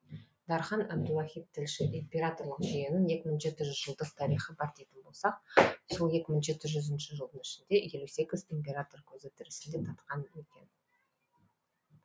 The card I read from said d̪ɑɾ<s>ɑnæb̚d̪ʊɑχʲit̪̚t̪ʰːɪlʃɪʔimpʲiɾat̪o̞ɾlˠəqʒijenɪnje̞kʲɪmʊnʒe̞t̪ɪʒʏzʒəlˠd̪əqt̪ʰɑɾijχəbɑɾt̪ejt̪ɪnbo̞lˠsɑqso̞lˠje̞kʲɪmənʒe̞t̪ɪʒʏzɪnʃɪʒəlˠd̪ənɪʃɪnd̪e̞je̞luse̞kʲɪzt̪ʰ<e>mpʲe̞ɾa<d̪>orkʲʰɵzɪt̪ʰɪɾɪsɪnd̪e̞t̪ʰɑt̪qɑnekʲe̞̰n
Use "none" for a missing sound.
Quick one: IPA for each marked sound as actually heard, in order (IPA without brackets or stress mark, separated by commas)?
χ, e, t̪